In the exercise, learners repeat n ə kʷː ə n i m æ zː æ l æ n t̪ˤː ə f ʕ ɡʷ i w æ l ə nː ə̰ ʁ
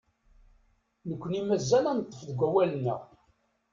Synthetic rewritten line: n ə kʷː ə n i m æ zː æ l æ n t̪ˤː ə f ð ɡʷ æ w æ l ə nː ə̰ ʁ